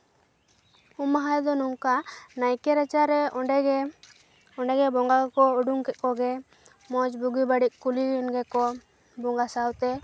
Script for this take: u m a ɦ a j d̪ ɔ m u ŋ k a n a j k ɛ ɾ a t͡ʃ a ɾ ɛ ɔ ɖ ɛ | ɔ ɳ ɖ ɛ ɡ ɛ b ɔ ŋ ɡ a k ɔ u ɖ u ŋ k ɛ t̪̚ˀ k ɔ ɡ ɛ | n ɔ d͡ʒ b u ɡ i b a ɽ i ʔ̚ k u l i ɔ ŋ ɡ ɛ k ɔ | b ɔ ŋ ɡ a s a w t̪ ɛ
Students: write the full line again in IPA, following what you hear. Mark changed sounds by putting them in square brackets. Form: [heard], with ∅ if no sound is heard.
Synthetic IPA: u m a ɦ a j d̪ ɔ [n] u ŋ k a n a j k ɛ ɾ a t͡ʃ a ɾ ɛ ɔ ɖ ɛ | ɔ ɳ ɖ ɛ ɡ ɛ b ɔ ŋ ɡ a k ɔ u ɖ u ŋ k ɛ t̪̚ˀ k ɔ ɡ ɛ | [m] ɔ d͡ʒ b u ɡ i b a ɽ i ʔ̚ k u l i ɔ [n] ɡ ɛ k ɔ | b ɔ ŋ ɡ a s a w t̪ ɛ